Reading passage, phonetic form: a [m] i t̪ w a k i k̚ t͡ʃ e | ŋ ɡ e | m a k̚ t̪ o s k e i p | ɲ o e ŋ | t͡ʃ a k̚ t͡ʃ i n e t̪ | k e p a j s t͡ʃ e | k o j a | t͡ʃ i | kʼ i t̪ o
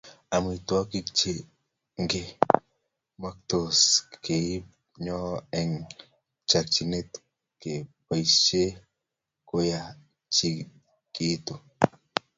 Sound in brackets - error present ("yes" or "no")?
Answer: no